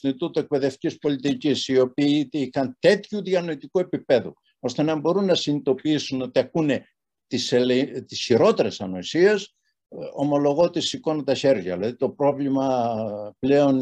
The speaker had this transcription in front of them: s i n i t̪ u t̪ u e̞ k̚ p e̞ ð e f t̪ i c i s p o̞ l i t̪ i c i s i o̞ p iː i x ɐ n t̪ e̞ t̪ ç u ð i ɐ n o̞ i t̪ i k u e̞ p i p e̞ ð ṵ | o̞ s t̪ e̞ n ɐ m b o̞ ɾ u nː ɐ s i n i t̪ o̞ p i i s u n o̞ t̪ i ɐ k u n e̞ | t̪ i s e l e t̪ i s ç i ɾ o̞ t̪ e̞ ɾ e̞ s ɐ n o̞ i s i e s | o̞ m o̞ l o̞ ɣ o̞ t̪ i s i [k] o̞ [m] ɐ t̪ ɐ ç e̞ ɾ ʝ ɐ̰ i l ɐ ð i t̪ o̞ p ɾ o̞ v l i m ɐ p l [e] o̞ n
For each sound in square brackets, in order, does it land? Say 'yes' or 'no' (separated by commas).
yes, no, yes